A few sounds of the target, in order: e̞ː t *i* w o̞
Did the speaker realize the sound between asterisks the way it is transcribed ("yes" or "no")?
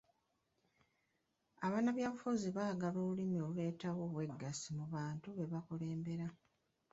no